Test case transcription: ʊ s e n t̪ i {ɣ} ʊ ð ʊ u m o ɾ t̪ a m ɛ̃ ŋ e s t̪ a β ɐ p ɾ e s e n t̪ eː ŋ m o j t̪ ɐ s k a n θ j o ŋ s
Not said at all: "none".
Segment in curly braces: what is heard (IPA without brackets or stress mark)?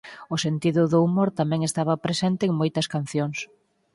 ð